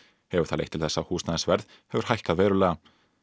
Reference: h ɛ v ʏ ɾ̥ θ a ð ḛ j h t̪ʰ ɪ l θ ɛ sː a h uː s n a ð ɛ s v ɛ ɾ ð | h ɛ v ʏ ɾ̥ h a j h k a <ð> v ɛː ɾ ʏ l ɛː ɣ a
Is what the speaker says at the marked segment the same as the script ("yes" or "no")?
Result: yes